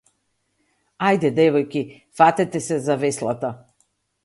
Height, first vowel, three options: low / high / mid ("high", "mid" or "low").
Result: low